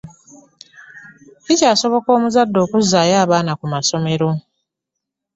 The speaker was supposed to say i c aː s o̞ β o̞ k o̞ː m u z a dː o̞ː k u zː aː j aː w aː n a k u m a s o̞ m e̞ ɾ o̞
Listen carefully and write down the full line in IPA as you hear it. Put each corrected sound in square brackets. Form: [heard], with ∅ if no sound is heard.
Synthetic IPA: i c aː s o̞ β o̞ k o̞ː m u z a dː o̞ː k u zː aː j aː [β] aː n a k u m a s o̞ m e̞ ɾ o̞